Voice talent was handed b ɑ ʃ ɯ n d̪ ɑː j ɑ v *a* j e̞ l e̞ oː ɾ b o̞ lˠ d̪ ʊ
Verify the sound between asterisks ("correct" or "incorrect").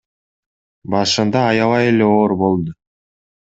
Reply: incorrect